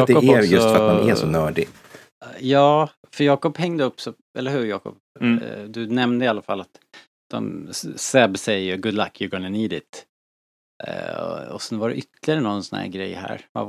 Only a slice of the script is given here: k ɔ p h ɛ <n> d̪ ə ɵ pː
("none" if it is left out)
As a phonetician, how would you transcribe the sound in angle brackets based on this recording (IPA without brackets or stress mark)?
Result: ŋ